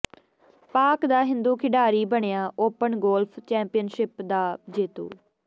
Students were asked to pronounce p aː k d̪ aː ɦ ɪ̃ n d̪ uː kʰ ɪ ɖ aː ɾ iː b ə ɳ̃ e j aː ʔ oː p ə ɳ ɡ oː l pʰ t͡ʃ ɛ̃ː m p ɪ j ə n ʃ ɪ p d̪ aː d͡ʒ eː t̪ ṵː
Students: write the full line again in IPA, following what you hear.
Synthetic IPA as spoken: p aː k d̪ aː ɦ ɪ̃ n d̪ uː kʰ ɪ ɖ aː ɾ iː b ə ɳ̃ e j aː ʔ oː p ə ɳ ɡ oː l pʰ t͡ʃ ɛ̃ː m p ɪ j ə n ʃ ɪ p d̪ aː d͡ʒ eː t̪ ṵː